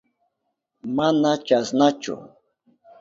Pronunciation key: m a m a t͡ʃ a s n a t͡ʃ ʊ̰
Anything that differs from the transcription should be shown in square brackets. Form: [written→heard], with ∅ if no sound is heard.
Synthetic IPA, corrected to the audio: m a [m→n] a t͡ʃ a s n a t͡ʃ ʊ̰